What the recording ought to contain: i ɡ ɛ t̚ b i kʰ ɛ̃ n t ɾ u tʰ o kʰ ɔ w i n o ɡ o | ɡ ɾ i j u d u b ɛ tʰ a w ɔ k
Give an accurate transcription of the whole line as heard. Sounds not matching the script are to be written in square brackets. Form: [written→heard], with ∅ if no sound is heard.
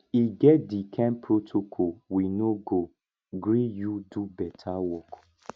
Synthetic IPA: i ɡ ɛ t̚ [b→d] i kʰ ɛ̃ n [t→p] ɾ [u→o] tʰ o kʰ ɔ w i n o ɡ o | ɡ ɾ i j u d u b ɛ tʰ a w ɔ k

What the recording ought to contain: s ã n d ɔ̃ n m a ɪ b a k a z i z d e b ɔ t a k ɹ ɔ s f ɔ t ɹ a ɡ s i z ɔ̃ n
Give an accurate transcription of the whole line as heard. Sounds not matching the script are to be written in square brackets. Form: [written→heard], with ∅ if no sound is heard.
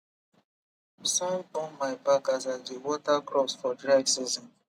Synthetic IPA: s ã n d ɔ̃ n m a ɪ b a k a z [i→a] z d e [b→w] ɔ t a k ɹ ɔ s f ɔ [t→d] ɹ a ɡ s i z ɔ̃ n

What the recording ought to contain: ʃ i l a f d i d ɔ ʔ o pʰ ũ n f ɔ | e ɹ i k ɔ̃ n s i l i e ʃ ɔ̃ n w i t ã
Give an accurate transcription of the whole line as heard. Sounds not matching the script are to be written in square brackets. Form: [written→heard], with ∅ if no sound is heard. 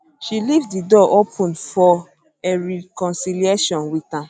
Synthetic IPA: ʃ i l [a→i] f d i d ɔ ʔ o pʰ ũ n f ɔ | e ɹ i k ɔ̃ n s i l i e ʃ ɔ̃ n w i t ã

